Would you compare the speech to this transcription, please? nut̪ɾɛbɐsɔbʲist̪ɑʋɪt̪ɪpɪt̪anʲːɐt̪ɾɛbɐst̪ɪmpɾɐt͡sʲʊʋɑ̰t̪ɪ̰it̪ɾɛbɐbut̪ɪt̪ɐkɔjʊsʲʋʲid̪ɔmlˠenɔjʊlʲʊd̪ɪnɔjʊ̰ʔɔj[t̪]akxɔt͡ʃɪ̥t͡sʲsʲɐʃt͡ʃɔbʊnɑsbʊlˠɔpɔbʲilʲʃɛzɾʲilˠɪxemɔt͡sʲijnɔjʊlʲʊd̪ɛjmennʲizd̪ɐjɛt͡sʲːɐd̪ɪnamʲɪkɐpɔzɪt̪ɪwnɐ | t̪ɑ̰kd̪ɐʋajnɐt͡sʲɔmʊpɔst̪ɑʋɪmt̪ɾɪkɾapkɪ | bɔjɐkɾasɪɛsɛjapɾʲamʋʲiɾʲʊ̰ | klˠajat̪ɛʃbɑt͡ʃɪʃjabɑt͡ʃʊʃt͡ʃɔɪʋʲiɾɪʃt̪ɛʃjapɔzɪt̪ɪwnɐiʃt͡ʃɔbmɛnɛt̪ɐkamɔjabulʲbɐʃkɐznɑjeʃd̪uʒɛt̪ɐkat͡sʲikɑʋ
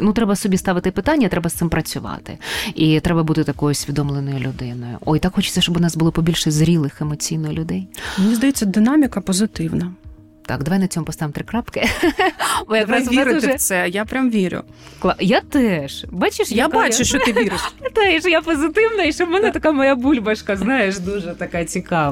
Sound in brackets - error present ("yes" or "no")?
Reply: no